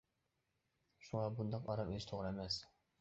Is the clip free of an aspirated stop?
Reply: no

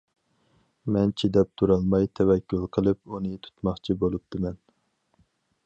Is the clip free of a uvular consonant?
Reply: no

